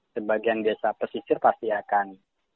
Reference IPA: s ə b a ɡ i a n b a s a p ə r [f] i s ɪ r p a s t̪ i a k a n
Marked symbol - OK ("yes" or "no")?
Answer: no